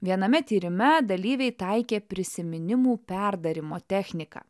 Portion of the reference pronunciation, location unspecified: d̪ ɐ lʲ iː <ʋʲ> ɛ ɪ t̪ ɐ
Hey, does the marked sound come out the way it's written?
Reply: yes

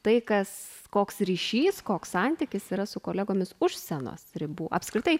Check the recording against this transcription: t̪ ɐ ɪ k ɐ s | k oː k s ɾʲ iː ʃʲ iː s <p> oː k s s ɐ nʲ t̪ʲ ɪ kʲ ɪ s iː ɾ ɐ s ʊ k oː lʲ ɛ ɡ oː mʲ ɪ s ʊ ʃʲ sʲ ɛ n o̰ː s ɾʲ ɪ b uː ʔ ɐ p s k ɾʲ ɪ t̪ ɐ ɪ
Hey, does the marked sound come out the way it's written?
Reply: no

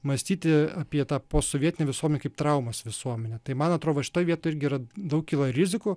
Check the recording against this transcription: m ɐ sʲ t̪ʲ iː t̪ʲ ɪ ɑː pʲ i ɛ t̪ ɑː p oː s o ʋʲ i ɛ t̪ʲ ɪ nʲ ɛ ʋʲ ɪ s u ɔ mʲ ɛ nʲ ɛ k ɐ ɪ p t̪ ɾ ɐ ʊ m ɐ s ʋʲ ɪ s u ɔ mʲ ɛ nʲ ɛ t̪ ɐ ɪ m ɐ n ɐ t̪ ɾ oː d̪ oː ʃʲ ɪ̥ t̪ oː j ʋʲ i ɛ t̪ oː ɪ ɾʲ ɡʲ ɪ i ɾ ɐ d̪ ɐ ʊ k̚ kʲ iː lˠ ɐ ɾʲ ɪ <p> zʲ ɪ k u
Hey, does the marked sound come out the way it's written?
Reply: no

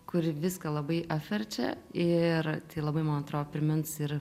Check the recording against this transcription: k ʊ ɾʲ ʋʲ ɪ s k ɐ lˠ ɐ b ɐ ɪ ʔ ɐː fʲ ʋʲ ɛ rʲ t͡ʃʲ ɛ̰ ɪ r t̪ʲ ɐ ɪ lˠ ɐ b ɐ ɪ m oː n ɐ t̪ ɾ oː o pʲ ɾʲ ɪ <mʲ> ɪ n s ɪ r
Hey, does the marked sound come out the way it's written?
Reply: yes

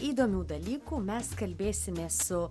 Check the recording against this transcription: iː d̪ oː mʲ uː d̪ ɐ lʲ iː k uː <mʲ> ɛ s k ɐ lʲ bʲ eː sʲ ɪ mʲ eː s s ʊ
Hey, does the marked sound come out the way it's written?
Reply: yes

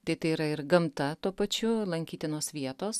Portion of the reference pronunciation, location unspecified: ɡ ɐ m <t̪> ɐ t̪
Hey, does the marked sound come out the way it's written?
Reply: yes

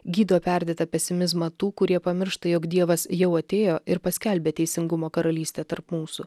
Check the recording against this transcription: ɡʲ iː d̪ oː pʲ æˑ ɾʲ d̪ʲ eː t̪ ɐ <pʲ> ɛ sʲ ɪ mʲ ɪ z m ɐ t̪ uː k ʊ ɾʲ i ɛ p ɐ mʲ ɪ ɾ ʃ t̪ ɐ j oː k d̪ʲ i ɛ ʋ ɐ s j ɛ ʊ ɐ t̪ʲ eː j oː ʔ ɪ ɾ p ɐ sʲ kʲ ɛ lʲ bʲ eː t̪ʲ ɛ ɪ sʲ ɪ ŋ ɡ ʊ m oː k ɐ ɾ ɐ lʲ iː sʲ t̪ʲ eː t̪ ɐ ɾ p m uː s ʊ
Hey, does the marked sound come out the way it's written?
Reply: yes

